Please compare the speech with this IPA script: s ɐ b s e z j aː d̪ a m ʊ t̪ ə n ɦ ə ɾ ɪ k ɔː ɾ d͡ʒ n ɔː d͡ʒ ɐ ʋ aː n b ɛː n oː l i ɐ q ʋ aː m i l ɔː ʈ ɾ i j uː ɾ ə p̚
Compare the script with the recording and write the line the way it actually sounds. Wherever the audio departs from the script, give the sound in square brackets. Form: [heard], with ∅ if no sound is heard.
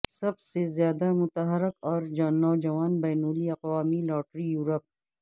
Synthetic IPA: s ɐ b s e z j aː d̪ a m ʊ t̪ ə [∅] ɦ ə ɾ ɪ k ɔː ɾ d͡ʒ n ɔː d͡ʒ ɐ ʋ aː n b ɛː n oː l i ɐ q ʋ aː m i l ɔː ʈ ɾ i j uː ɾ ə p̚